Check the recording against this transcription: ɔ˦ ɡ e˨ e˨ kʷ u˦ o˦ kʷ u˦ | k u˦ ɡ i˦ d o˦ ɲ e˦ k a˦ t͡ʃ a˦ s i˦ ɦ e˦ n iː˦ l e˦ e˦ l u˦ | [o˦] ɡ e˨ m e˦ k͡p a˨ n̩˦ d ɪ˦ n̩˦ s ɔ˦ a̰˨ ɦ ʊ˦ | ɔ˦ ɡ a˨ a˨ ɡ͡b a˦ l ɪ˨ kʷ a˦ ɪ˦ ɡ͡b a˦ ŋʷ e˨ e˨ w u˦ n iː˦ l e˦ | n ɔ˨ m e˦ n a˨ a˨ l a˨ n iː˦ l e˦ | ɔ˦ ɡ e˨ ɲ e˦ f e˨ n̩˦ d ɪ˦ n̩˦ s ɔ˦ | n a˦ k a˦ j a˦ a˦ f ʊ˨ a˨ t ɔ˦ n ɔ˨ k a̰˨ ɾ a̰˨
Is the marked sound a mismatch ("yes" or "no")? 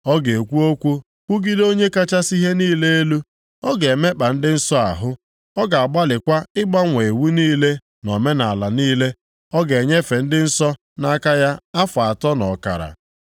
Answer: yes